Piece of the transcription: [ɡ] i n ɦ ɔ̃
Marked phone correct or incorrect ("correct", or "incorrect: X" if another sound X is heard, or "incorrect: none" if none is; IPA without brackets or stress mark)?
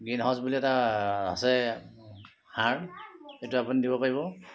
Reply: correct